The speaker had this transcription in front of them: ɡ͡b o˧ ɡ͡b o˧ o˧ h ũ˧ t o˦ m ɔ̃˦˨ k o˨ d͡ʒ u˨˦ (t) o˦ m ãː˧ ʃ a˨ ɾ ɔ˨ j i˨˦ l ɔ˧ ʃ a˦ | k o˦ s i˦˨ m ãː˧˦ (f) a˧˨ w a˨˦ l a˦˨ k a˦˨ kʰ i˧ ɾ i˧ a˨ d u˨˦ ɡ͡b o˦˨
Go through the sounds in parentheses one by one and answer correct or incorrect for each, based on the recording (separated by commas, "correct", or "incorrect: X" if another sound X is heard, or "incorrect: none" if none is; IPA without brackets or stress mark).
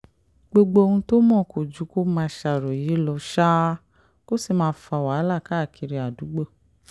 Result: incorrect: k, correct